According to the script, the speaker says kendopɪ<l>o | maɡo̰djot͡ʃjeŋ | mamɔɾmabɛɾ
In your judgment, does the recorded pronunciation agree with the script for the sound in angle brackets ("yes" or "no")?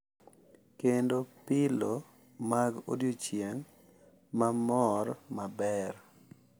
yes